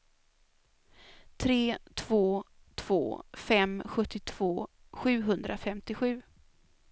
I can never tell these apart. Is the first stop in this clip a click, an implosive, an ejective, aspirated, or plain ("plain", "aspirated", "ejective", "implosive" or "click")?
aspirated